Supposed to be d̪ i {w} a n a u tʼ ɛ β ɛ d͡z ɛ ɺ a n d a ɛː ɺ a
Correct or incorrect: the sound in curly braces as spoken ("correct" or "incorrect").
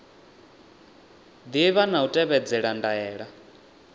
incorrect